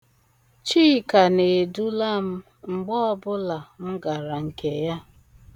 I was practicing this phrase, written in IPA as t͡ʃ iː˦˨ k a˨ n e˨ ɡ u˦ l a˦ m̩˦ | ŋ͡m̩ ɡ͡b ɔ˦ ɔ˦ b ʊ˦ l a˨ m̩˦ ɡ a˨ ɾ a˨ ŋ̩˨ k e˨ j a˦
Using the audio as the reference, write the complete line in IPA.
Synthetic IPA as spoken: t͡ʃ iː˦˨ k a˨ n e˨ d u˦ l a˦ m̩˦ | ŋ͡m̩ ɡ͡b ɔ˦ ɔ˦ b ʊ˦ l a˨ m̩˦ ɡ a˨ ɾ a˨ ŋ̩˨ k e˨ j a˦